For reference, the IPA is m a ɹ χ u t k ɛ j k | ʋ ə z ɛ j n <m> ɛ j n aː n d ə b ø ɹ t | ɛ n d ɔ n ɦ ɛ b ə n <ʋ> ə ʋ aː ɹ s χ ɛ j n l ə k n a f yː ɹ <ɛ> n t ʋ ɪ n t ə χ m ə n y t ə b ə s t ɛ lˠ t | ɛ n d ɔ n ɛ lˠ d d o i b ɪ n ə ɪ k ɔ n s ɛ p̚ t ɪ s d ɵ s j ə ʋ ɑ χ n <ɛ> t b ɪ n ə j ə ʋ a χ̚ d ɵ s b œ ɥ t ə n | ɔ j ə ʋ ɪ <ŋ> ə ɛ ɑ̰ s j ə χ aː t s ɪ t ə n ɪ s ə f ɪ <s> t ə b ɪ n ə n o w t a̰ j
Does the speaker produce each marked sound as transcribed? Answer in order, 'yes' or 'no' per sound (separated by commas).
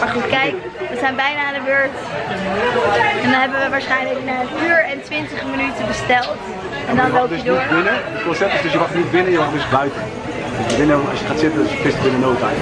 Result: no, yes, yes, no, no, yes